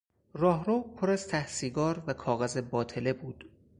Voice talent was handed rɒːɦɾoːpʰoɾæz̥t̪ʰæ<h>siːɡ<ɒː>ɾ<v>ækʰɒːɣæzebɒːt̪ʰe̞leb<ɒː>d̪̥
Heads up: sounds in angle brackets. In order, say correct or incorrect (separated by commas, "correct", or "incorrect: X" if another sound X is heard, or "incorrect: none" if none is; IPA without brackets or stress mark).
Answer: correct, correct, correct, incorrect: uː